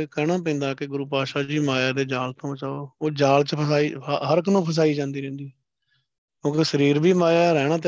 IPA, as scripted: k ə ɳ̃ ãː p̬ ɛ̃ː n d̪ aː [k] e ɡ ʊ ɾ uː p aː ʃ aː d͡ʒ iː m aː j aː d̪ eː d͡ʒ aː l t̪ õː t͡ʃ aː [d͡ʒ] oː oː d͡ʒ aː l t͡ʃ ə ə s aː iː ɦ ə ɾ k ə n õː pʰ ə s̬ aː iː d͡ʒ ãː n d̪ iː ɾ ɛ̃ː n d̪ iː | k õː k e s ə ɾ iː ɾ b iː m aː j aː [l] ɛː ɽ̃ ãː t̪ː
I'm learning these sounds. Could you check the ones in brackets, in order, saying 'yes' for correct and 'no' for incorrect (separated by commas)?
yes, no, no